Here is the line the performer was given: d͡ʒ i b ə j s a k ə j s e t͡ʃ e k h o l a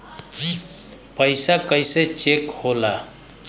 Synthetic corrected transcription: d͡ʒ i p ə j s a k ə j s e t͡ʃ e k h o l a